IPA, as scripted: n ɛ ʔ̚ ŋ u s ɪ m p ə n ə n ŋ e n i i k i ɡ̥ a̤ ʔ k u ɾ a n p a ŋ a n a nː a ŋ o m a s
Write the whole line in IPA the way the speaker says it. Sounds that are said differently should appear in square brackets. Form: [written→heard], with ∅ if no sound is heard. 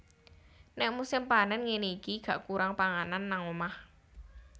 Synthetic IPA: n ɛ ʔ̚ [ŋ→m] u s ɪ m p [ə→a] n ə n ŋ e n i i k i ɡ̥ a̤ ʔ k u ɾ a [n→ŋ] p a ŋ a n a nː a ŋ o m a [s→h]